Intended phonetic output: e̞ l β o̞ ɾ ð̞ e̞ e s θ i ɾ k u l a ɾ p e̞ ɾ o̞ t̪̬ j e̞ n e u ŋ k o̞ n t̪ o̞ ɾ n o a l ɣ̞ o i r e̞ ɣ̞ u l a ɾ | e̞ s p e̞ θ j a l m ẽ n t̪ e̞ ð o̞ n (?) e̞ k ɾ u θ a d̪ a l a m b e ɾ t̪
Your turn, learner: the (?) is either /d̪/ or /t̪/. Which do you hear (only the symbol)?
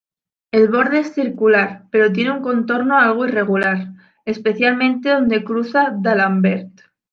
d̪